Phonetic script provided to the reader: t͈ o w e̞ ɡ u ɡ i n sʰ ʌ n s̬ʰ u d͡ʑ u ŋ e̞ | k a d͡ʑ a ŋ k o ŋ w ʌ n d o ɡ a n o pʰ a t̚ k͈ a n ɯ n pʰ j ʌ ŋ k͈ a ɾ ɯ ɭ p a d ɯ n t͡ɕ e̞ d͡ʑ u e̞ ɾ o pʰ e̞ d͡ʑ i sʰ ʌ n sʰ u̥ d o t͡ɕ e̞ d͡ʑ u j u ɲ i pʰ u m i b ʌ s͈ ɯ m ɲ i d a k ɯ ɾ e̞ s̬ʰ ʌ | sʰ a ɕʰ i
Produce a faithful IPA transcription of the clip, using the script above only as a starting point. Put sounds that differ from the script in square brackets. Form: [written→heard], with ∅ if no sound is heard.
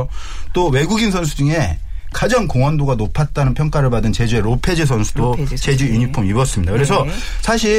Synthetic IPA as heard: t͈ o w e̞ ɡ u ɡ i n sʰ ʌ n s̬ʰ u d͡ʑ u ŋ e̞ | k a d͡ʑ a ŋ k o ŋ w ʌ n d o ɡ a n o pʰ a t̚ [k͈→t͈] a n ɯ n pʰ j ʌ ŋ k͈ a ɾ ɯ ɭ p a d ɯ n t͡ɕ e̞ d͡ʑ u e̞ ɾ o pʰ e̞ d͡ʑ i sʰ ʌ n sʰ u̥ d o t͡ɕ e̞ d͡ʑ u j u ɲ i pʰ u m i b ʌ s͈ ɯ m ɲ i d a k ɯ ɾ e̞ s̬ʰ ʌ | sʰ a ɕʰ i